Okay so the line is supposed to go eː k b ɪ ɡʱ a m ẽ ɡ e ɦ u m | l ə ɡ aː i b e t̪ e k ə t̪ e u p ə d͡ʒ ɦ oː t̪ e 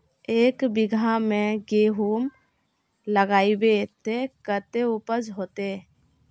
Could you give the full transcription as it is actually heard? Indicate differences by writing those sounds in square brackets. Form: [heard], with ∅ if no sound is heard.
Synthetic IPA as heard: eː k b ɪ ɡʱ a m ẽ ɡ e ɦ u m | l ə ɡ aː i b e t̪ e k ə t̪ e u p ə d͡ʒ ɦ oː t̪ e